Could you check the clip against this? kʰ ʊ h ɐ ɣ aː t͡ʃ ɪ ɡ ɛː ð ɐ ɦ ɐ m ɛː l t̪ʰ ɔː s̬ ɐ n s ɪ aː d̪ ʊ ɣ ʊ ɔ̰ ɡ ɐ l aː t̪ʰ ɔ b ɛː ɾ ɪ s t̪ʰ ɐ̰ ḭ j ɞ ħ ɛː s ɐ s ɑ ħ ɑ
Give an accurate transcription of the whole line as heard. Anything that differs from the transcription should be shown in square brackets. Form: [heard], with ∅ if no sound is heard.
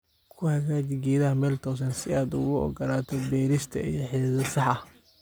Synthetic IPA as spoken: kʰ ʊ h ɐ ɣ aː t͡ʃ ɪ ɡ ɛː ð ɐ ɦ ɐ m ɛː l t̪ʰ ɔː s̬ ɐ n s ɪ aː d̪ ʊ ɣ ʊ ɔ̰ ɡ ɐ l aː t̪ʰ ɔ b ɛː ɾ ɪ s t̪ʰ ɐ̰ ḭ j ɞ ħ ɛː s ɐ s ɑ ħ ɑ